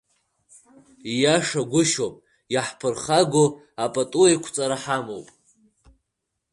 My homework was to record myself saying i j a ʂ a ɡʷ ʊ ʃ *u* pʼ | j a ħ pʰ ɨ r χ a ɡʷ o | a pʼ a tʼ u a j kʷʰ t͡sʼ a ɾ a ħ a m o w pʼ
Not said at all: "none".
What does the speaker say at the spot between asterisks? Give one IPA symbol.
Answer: o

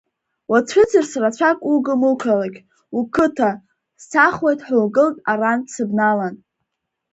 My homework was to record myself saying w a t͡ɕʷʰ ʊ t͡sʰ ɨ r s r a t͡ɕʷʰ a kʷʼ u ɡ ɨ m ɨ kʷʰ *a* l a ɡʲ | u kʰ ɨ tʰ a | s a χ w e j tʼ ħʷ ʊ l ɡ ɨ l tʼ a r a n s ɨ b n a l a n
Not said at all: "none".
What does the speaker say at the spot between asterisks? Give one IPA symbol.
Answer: a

